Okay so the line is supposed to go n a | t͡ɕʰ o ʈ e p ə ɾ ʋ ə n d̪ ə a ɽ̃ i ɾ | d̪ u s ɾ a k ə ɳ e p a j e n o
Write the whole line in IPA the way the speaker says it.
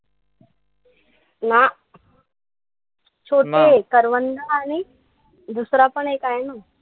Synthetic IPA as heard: n a | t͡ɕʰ o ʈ e k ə ɾ ʋ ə n d̪ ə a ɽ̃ i | d̪ u s ɾ a p ə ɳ e k a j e n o